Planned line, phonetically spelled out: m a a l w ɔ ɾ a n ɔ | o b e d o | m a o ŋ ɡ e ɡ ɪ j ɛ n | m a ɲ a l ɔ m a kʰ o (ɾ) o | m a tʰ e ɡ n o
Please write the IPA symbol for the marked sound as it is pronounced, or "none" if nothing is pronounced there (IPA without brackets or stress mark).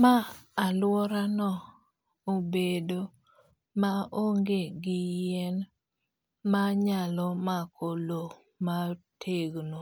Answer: l